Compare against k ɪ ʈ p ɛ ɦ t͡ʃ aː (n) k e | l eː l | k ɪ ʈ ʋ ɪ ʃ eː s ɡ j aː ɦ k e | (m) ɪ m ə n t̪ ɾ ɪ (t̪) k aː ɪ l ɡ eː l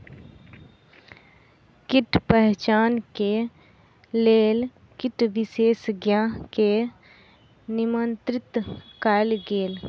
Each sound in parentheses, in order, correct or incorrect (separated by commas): correct, incorrect, correct